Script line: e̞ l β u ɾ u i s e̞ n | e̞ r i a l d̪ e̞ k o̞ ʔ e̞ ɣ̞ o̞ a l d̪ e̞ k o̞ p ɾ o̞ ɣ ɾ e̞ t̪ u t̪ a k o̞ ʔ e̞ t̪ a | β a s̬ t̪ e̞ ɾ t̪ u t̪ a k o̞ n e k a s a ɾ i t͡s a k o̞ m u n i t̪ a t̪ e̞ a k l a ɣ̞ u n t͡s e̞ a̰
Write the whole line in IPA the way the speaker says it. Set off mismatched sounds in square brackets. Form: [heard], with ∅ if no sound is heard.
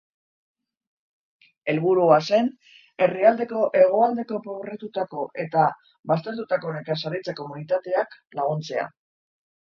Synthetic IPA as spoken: e̞ l β u ɾ u [a] s e̞ n | e̞ r i a l d̪ e̞ k o̞ ʔ e̞ ɣ̞ o̞ a l d̪ e̞ k o̞ p ɾ o̞ ɣ ɾ e̞ t̪ u t̪ a k o̞ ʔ e̞ t̪ a | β a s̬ t̪ e̞ ɾ t̪ u t̪ a k o̞ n e k a s a ɾ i t͡s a k o̞ m u n i t̪ a t̪ e̞ a k l a ɣ̞ u n t͡s e̞ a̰

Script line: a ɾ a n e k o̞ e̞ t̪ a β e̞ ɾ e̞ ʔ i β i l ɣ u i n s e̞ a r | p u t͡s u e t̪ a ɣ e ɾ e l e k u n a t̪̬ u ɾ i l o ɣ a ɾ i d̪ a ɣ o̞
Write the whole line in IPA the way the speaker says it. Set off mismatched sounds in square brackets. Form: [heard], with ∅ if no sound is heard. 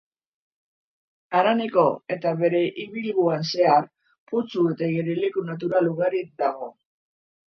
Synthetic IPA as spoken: a ɾ a n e k o̞ e̞ t̪ a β e̞ ɾ e̞ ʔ i β i l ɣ u [a] n s e̞ a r | p u t͡s u e t̪ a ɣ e ɾ e l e k u n a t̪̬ u ɾ [a] l [u] ɣ a ɾ i d̪ a ɣ o̞

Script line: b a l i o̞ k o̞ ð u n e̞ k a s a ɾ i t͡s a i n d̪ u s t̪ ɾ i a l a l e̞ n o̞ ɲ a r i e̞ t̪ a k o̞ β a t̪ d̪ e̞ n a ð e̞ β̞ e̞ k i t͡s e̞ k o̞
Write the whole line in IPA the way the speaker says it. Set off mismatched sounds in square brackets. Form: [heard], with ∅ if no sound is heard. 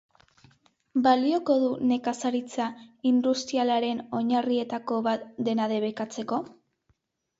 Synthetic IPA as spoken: b a l i o̞ k o̞ ð u n e̞ k a s a ɾ i t͡s a i n d̪ u s t̪ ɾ i a l a [ɾ] e̞ n o̞ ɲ a r i e̞ t̪ a k o̞ β a t̪ d̪ e̞ n a ð e̞ β̞ e̞ k [a] t͡s e̞ k o̞

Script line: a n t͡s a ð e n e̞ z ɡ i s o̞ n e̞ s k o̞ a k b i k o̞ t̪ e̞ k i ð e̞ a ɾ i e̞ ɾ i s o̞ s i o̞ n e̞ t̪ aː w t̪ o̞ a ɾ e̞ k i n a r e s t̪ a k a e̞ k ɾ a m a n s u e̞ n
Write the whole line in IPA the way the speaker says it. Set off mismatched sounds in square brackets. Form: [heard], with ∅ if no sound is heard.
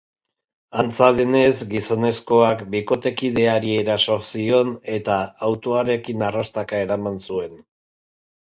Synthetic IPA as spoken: a n t͡s a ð e n e̞ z ɡ i s o̞ n e̞ s k o̞ a k b i k o̞ t̪ e̞ k i ð e̞ a ɾ i e̞ ɾ [a] s o̞ s i o̞ n e̞ t̪ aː w t̪ o̞ a ɾ e̞ k i n a r [a] s t̪ a k a e̞ [∅] ɾ a m a n s u e̞ n

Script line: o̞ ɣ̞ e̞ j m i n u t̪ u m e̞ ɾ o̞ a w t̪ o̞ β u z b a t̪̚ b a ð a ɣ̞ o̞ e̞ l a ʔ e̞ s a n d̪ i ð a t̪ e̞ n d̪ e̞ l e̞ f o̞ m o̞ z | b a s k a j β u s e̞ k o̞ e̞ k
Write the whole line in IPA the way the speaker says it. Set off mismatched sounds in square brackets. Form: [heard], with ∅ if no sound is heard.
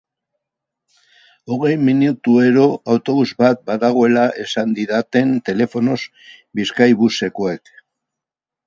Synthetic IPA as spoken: o̞ ɣ̞ e̞ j m i n u t̪ u [∅] e̞ ɾ o̞ a w t̪ o̞ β u z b a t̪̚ b a ð a ɣ̞ o̞ e̞ l a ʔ e̞ s a n d̪ i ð a t̪ e̞ n [t̪] e̞ l e̞ f o̞ [n] o̞ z | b [i] s k a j β u s e̞ k o̞ e̞ k

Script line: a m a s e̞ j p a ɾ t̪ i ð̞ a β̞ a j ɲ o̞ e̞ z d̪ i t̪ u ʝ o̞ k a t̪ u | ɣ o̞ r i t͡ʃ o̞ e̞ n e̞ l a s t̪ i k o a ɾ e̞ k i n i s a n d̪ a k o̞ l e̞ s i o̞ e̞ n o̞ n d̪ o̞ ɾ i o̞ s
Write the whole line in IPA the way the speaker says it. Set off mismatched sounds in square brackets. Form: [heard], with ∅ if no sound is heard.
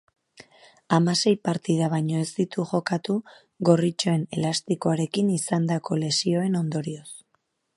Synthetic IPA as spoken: a m a s e̞ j p a ɾ t̪ i ð̞ a β̞ a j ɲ o̞ e̞ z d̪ i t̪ u ʝ o̞ k a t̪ u | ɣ o̞ r i t͡ʃ o̞ e̞ n e̞ l a s t̪ i k o a ɾ e̞ k i n i s a n d̪ a k o̞ l e̞ s i o̞ e̞ n o̞ n d̪ o̞ ɾ i o̞ s

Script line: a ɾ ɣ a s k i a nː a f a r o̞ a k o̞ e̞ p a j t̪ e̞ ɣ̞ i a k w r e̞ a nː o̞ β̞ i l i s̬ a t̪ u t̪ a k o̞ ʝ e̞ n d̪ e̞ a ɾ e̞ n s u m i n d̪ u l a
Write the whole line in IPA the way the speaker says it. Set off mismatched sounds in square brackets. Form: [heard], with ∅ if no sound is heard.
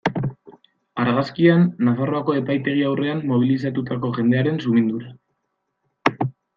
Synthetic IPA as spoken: a ɾ ɣ a s k i a nː a f a r o̞ a k o̞ e̞ p a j t̪ e̞ ɣ̞ i a [∅] w r e̞ a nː o̞ β̞ i l i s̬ a t̪ u t̪ a k o̞ ʝ e̞ n d̪ e̞ a ɾ e̞ n s u m i n d̪ u [ɾ] a

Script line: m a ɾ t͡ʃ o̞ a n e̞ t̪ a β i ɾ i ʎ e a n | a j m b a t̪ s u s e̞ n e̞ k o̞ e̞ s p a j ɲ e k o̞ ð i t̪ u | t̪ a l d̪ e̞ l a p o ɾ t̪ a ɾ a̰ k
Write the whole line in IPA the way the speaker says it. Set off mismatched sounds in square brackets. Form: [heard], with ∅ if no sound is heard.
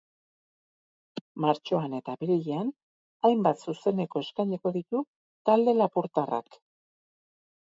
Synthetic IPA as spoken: m a ɾ t͡ʃ o̞ a n e̞ t̪ a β i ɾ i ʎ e a n | a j m b a t̪ s u s e̞ n e̞ k o̞ e̞ s [k] a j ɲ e k o̞ ð i t̪ u | t̪ a l d̪ e̞ l a p [u] ɾ t̪ a [r] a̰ k

